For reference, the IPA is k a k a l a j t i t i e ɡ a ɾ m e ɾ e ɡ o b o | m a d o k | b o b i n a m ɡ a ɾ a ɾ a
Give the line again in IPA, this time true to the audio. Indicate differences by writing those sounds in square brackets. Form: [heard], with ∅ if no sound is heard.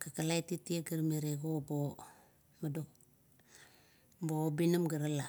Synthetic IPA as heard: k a k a l a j t i t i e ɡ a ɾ m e ɾ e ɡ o b o | m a d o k | b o b i n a m ɡ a ɾ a [l] a